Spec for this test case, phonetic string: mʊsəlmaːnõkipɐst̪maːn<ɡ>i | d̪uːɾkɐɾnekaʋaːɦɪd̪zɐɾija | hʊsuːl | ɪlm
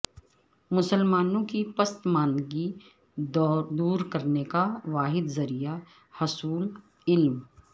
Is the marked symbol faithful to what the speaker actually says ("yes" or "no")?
yes